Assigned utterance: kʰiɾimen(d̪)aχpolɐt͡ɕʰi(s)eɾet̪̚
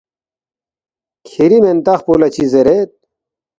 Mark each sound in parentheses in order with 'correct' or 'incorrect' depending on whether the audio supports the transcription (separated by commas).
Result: incorrect, incorrect